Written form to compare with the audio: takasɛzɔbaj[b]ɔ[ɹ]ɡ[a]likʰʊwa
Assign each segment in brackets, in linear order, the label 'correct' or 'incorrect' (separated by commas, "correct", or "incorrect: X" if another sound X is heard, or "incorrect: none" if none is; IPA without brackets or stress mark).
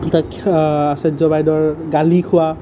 incorrect: d, correct, correct